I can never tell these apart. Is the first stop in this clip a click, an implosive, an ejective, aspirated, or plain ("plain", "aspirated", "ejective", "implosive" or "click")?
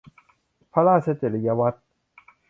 aspirated